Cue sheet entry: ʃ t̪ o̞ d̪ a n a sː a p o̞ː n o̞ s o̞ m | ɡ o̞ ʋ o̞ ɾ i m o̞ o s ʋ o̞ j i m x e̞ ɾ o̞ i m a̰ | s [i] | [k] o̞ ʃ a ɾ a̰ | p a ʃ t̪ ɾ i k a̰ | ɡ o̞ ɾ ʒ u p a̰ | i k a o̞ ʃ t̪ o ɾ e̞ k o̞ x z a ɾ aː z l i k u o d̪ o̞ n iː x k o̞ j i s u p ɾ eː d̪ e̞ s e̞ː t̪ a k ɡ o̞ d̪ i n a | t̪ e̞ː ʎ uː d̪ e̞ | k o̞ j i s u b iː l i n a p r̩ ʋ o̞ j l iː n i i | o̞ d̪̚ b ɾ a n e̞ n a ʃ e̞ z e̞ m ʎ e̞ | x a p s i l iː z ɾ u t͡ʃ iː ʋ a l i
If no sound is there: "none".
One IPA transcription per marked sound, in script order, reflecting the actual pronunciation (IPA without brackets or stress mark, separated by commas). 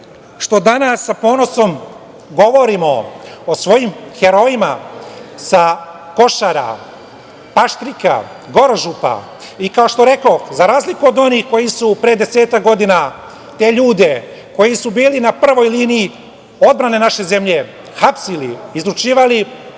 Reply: a, k